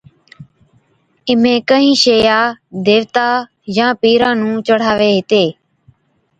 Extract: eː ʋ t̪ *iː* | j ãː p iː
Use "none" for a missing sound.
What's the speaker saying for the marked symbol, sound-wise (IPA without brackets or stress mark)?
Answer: aː